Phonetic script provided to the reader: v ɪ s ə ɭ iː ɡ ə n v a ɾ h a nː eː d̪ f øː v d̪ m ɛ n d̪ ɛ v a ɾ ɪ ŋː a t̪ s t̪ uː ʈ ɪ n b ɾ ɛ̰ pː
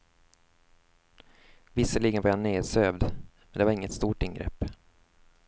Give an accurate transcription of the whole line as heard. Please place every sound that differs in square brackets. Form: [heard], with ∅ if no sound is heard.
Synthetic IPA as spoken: v ɪ s ə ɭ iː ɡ ə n v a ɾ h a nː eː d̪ [s] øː v d̪ m ɛ n d̪ ɛ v a ɾ ɪ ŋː [ə] t̪ s t̪ uː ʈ ɪ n [ɡ] ɾ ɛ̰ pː